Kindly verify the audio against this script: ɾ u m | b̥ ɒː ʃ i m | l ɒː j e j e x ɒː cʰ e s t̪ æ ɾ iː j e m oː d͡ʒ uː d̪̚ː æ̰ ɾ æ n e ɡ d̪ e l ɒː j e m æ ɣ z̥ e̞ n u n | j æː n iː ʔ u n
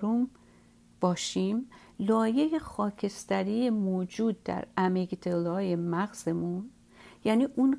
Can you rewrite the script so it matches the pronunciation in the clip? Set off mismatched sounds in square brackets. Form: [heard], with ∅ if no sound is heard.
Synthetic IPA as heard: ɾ u m | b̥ ɒː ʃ i m | l ɒː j e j e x ɒː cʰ e s t̪ æ ɾ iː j e m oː d͡ʒ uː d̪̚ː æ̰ ɾ æ [m] e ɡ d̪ e l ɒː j e m æ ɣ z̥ e̞ [m] u n | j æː n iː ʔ u n